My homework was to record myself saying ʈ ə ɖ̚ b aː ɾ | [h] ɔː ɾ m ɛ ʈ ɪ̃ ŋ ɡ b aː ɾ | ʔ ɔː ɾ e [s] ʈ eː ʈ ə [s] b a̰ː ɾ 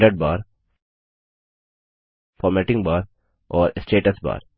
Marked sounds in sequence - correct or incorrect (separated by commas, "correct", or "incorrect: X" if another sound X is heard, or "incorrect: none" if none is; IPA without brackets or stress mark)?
incorrect: f, correct, correct